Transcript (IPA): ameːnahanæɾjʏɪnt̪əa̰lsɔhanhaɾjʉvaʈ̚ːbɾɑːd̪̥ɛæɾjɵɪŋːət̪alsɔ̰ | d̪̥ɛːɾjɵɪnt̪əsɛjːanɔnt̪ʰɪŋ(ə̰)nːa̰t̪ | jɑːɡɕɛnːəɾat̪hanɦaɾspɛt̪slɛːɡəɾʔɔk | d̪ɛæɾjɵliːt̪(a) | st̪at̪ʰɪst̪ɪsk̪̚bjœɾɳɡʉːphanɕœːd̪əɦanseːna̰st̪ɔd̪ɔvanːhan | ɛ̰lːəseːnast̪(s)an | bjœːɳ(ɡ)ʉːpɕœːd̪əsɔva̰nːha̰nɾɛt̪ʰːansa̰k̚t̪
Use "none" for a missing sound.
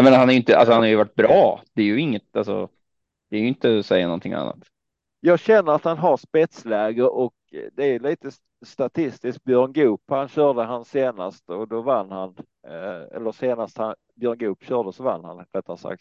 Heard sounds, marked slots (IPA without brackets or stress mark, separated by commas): a̰, ə, h, ɡ